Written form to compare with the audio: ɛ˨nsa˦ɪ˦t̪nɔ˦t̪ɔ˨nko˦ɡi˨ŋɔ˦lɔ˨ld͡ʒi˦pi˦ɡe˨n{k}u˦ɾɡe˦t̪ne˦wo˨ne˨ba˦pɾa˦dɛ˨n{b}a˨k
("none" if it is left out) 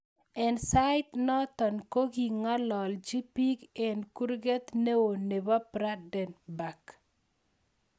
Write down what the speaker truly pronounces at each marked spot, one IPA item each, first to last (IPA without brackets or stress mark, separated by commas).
k, b